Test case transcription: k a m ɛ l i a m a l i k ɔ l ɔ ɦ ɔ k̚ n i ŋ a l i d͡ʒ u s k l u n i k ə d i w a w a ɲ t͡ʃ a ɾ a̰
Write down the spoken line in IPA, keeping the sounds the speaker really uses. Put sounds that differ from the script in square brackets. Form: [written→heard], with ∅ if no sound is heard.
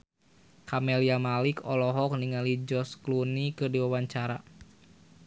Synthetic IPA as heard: k a m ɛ l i a m a l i k ɔ l ɔ ɦ ɔ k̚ n i ŋ a l i d͡ʒ [u→ɔ] s k l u n i k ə d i w a w a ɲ t͡ʃ a ɾ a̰